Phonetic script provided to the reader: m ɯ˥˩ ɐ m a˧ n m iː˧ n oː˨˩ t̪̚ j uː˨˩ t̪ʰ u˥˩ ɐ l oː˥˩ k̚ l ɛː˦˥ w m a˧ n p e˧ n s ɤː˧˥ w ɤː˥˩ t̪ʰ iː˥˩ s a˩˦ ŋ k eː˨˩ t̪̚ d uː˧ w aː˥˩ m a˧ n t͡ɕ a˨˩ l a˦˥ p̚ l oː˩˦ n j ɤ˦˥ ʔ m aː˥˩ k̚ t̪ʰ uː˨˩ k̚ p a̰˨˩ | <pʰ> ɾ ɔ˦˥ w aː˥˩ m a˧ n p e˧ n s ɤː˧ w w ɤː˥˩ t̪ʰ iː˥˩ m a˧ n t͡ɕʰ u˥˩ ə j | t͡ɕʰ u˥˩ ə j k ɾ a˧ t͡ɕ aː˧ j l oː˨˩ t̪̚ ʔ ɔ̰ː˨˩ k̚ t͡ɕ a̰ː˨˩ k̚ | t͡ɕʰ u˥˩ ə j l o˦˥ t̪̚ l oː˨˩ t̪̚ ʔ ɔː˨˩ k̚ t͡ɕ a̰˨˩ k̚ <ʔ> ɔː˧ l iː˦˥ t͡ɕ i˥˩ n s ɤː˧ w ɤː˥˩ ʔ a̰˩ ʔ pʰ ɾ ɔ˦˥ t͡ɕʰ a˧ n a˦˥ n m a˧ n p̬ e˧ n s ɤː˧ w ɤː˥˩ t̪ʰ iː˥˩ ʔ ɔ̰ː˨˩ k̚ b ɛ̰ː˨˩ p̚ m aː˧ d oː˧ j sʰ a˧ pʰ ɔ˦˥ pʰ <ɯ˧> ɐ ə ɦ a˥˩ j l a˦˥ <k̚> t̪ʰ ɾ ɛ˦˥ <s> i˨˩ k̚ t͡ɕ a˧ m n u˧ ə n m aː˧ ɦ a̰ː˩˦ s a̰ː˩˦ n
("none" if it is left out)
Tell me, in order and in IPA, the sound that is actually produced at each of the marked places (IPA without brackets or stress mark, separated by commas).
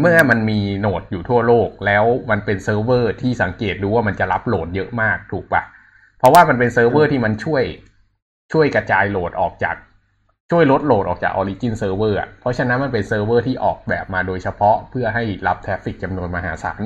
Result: pʰ, ʔ, ɯ˥˩, p̚, f